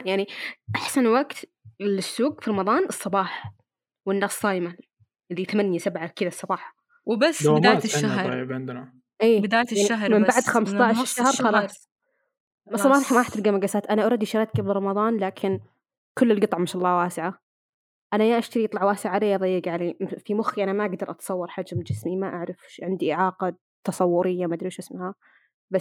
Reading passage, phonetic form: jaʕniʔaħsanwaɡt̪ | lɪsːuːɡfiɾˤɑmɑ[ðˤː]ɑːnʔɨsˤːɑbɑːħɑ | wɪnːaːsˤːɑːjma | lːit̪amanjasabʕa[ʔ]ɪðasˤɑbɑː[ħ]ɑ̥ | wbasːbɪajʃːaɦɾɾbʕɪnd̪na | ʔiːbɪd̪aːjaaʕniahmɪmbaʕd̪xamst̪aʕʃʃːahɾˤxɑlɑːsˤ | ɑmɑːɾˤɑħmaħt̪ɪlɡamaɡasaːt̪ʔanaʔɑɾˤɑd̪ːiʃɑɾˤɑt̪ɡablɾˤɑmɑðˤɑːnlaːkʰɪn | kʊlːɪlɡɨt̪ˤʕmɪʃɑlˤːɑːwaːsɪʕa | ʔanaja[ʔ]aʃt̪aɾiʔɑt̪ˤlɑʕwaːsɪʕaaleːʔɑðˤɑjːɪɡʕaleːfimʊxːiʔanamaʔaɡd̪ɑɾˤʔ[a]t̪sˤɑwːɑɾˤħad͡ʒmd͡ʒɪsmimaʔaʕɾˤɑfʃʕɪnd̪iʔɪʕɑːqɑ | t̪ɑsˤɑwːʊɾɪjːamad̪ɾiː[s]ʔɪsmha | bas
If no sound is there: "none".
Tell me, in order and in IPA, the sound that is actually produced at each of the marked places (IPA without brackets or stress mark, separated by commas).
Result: ðˤ, k, ħ, ʔ, ɑ, ʃ